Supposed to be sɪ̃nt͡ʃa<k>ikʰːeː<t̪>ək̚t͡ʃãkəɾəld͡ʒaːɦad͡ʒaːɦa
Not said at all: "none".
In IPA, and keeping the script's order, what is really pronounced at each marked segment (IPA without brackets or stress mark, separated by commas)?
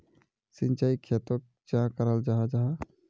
none, t̪